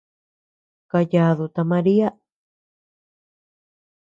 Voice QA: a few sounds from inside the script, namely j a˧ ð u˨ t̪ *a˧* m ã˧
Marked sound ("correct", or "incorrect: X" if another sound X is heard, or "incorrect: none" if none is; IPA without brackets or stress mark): correct